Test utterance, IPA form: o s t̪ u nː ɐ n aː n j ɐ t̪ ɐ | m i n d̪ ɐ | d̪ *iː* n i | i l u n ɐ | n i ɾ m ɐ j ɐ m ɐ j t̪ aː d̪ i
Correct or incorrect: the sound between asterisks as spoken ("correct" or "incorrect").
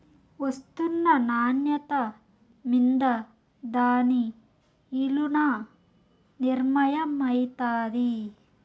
incorrect